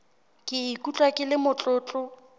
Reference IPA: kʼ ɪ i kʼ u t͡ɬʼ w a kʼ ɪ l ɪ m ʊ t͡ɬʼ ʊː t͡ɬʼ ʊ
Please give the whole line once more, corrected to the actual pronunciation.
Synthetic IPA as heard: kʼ ɪ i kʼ u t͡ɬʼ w a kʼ ɪ l ɪ m ʊ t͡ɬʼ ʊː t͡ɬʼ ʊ